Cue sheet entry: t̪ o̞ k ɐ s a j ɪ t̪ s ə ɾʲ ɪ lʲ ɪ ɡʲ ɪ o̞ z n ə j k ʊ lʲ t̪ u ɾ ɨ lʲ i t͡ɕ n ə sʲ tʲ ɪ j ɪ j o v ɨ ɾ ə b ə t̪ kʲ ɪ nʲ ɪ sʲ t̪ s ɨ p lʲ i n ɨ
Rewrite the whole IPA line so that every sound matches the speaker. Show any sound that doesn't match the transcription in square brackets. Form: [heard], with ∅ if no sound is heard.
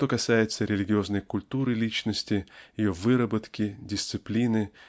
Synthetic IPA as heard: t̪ o̞ k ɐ s a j ɪ t̪ s ə ɾʲ ɪ lʲ ɪ ɡʲ ɪ o̞ z n ə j k ʊ lʲ t̪ u ɾ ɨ lʲ i t͡ɕ n ə sʲ tʲ ɪ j ɪ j o v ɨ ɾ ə b ə t̪ kʲ ɪ [dʲ] ɪ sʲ t̪ s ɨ p lʲ i n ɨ